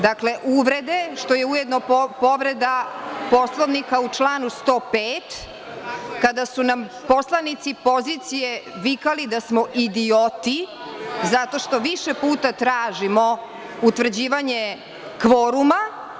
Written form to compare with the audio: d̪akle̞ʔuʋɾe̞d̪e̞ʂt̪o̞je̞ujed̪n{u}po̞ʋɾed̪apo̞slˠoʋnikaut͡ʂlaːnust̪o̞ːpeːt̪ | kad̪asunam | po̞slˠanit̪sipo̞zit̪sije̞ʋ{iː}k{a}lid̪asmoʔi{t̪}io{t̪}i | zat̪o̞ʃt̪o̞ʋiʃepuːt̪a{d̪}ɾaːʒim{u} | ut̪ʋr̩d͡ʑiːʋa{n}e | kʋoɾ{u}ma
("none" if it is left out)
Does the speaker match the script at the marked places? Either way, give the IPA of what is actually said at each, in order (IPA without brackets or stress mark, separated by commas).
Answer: o, i, a, d̪, t̪, t̪, o, ɲ, u